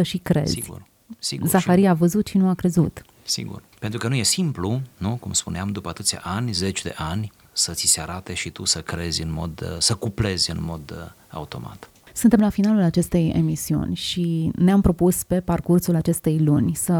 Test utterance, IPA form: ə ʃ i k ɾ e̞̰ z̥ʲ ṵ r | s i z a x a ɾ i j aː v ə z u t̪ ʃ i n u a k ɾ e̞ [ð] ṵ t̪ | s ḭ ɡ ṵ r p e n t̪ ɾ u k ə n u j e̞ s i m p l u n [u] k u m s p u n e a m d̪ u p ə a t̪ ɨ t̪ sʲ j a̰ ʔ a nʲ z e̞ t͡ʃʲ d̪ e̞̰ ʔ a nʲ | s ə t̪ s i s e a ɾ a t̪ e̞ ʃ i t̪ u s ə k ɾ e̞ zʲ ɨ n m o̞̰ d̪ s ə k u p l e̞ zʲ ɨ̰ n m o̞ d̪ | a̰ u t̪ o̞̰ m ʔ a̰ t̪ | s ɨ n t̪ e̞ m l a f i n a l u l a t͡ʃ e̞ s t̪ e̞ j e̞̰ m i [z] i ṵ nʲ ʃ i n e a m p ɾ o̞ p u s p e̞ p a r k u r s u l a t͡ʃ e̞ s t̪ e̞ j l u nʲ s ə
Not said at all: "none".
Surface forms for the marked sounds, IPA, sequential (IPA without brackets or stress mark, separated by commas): z, u, s